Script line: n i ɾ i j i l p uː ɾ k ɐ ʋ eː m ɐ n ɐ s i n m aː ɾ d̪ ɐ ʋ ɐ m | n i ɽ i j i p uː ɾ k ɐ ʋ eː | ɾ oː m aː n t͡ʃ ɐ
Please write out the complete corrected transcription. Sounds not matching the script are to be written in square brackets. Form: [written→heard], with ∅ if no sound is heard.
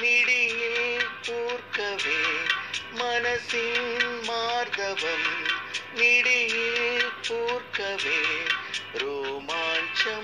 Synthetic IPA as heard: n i [ɾ→ɽ] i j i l p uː ɾ k ɐ ʋ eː m ɐ n ɐ s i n m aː ɾ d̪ ɐ ʋ ɐ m | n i ɽ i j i p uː ɾ k ɐ ʋ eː | ɾ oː m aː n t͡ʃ ɐ